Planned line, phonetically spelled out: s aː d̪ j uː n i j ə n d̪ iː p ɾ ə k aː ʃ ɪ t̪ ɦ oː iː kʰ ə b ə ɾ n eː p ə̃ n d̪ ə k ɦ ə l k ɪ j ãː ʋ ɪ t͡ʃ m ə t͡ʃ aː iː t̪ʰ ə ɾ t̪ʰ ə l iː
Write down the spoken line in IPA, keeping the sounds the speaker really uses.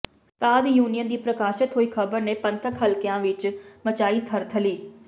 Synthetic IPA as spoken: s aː d̪ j uː n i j ə n d̪ iː p ɾ ə k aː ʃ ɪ t̪ ɦ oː iː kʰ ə b ə ɾ n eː p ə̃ n t̪ ə k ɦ ə l k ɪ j ãː ʋ ɪ t͡ʃ m ə t͡ʃ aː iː t̪ʰ ə ɾ t̪ʰ ə l iː